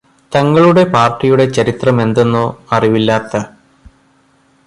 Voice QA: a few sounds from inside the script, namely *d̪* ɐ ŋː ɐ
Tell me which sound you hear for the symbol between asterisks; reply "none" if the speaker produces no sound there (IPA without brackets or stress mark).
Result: t̪